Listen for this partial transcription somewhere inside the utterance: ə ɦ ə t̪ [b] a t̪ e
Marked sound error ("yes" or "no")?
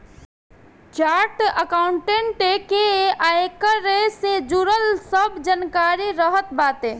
no